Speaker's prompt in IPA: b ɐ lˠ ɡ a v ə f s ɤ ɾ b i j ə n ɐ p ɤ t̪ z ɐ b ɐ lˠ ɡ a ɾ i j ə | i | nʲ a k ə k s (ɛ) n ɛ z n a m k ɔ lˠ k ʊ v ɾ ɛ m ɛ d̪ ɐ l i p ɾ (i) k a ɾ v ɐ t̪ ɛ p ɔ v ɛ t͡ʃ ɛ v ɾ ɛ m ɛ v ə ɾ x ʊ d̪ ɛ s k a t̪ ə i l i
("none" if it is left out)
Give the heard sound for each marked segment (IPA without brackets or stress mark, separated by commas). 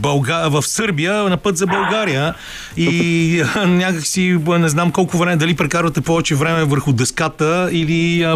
i, ɛ